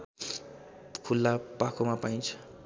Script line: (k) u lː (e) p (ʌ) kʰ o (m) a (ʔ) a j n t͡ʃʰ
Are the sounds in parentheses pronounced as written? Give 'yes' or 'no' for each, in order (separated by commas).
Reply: no, no, no, yes, no